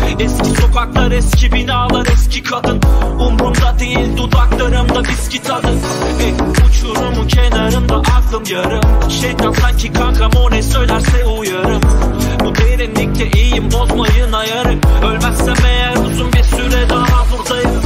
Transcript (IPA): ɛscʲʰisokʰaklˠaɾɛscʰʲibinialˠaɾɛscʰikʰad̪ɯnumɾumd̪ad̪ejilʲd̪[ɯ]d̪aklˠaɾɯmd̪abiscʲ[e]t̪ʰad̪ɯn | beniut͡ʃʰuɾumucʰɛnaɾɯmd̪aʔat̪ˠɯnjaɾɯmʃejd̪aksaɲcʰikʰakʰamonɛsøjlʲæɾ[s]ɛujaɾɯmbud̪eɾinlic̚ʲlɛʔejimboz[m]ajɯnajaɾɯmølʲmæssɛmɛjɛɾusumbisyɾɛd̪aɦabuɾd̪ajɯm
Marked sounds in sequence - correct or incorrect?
incorrect, incorrect, correct, correct

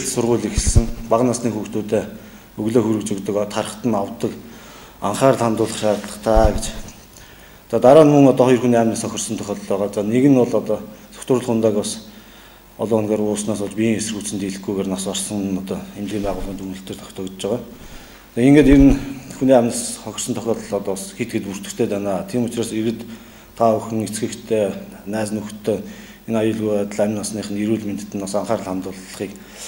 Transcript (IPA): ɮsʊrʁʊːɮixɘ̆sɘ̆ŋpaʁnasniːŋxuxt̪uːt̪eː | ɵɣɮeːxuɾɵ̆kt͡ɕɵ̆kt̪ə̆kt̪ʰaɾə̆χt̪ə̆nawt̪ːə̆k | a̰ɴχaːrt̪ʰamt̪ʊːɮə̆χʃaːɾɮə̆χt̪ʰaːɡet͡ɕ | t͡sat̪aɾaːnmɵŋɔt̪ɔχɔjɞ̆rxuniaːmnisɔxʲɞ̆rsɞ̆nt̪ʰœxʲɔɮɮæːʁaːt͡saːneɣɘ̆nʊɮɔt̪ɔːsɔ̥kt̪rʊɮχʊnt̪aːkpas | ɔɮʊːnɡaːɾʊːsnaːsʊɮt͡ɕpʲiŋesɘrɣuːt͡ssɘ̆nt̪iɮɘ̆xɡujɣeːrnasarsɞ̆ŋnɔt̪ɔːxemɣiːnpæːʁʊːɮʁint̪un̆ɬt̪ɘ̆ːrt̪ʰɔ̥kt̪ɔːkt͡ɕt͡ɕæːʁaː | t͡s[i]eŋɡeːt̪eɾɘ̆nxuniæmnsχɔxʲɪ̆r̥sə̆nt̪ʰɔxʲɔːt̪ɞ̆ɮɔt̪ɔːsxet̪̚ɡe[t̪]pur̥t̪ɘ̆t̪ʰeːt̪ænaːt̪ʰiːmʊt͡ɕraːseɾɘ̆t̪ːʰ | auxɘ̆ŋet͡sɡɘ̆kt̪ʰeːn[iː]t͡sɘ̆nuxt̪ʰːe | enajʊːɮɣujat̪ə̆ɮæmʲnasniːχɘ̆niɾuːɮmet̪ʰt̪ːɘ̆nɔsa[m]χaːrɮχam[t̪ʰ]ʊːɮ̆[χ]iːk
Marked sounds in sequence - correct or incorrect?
incorrect, correct, incorrect, incorrect, incorrect, correct

